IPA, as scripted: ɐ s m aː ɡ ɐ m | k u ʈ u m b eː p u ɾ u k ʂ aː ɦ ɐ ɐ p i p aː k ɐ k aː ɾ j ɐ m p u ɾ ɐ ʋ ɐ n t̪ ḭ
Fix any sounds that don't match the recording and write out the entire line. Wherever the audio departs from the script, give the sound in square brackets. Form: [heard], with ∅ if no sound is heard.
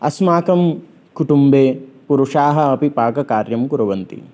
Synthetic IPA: ɐ s m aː [k] ɐ m | k u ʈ u m b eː p u ɾ u [∅] ʂ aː ɦ ɐ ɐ p i p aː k ɐ k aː ɾ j ɐ m [k] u ɾ ɐ ʋ ɐ n t̪ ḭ